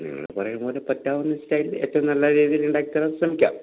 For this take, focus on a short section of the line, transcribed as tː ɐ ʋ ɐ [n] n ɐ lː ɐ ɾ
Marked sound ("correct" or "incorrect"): incorrect